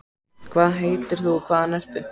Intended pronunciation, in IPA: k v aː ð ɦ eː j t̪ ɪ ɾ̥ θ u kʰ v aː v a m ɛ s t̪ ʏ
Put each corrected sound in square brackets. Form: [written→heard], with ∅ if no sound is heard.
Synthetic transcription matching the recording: [k→kʰ] v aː ð ɦ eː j t̪ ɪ ɾ̥ θ u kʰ v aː [v→ð] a [m→n] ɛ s t̪ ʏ